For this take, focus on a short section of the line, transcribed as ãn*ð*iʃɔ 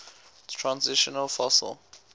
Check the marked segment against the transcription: incorrect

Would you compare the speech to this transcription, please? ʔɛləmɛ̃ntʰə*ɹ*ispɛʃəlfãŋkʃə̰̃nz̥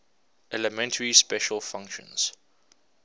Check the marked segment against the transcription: correct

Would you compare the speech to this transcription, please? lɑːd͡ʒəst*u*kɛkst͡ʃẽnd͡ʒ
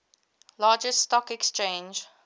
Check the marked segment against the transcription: incorrect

